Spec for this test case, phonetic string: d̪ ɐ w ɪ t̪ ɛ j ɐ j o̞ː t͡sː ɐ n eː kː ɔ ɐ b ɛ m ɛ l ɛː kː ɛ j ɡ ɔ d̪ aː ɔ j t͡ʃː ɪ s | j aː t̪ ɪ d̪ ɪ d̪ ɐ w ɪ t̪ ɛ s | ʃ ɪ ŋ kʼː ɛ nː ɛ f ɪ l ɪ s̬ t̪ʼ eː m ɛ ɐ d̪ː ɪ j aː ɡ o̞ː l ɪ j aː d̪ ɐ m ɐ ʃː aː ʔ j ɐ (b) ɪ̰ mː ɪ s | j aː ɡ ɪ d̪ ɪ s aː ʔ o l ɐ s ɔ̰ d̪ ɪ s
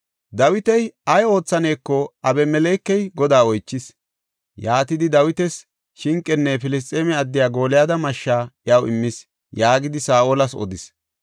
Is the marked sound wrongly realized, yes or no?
yes